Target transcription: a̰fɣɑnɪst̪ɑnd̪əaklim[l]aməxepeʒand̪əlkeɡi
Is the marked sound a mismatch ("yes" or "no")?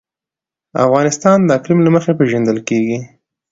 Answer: no